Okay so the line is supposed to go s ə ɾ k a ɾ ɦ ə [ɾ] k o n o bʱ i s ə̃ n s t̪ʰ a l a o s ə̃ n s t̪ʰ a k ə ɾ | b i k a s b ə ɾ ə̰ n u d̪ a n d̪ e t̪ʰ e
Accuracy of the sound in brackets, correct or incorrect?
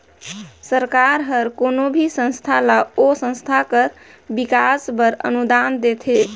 correct